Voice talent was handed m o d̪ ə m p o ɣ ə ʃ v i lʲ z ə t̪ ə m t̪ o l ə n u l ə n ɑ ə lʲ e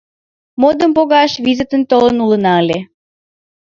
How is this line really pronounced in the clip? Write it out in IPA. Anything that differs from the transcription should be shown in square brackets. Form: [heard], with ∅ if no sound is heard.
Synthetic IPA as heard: m o d̪ ə m p o ɣ [ɑ] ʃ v i [∅] z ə t̪ ə [n] t̪ o l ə n u l ə n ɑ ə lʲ e